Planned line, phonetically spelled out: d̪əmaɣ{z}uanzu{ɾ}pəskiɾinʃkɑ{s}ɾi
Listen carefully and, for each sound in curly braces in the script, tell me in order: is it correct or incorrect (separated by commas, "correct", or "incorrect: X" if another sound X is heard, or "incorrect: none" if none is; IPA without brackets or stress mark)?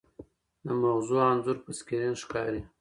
correct, correct, incorrect: none